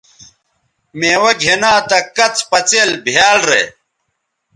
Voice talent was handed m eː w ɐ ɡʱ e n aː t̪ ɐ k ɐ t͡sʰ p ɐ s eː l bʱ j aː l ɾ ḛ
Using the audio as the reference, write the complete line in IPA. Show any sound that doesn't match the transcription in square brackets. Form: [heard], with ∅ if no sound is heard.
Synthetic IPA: m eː w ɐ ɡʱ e n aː t̪ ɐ k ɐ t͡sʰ p ɐ [t͡s] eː l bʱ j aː l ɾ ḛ